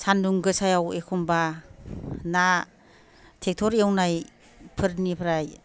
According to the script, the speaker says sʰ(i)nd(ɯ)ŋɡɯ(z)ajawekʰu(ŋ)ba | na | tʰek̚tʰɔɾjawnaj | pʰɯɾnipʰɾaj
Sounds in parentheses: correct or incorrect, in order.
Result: incorrect: a, incorrect: u, incorrect: s, incorrect: m

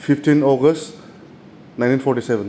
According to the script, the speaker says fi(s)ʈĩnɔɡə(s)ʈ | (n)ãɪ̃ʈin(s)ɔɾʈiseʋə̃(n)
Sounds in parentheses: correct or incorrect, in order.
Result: incorrect: f, correct, correct, incorrect: f, correct

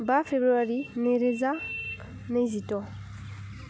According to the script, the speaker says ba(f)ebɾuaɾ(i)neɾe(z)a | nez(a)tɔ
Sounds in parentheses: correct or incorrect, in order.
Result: correct, correct, correct, incorrect: i

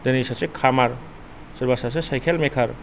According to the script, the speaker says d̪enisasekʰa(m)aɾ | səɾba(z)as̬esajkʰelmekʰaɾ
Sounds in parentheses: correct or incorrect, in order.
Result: correct, incorrect: s

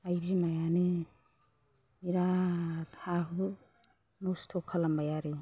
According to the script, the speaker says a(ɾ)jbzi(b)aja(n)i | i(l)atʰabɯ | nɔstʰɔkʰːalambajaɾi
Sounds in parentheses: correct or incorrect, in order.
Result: incorrect: none, incorrect: m, correct, incorrect: ɾ

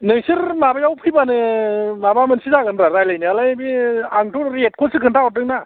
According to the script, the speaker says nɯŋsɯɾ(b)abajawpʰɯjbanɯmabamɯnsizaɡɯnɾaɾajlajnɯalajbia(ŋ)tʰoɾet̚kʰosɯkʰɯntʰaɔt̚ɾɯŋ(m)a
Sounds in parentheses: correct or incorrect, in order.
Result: incorrect: m, correct, incorrect: n

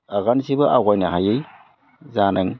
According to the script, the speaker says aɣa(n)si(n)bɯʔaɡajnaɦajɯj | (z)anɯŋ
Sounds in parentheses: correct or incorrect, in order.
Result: correct, incorrect: none, correct

